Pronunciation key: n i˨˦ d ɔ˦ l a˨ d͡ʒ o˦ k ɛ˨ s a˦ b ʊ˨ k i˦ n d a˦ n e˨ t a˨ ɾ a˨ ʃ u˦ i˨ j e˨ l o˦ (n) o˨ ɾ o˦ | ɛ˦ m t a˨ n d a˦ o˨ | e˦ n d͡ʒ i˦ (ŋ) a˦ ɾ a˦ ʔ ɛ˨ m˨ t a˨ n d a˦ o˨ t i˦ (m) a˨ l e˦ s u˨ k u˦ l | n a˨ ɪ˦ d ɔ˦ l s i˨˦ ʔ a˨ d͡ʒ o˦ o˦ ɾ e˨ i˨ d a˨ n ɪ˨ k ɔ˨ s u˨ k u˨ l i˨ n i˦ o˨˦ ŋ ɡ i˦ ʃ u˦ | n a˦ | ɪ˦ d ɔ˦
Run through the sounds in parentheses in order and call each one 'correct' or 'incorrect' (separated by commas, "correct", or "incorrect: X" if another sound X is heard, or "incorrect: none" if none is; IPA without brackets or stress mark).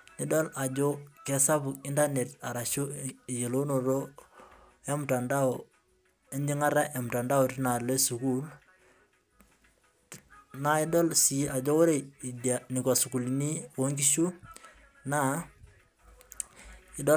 correct, correct, incorrect: n